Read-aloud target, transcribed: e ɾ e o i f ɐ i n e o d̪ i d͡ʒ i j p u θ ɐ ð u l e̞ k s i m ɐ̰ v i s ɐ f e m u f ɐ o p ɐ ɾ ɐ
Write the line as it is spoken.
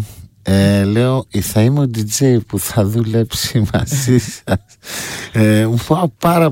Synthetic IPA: e l e o i θ ɐ i m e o d̪ i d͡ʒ e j p u θ ɐ ð u l e̞ p s i m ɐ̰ z i s ɐ s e m u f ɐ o p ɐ ɾ ɐ